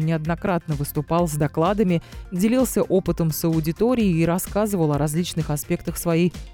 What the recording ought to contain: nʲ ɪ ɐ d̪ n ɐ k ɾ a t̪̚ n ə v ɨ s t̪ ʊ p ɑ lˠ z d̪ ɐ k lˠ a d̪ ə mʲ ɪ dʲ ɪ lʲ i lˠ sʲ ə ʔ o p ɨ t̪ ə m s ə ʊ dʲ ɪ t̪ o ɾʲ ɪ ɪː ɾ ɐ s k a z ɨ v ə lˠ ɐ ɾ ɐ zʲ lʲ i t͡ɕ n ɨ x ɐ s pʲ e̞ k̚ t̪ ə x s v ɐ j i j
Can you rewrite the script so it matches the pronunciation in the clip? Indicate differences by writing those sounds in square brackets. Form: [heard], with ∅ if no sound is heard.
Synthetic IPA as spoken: nʲ ɪ ɐ d̪ n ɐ k ɾ a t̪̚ n ə v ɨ s t̪ ʊ p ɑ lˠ z d̪ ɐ k lˠ a d̪ ə mʲ ɪ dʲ ɪ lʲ i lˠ sʲ ə ʔ o p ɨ t̪ ə m s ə ʊ dʲ ɪ t̪ o ɾʲ ɪ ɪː ɾ ɐ s k a z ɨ v ə lˠ ɐ ɾ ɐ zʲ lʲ i t͡ɕ n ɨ x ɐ s pʲ e̞ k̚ t̪ ə x s v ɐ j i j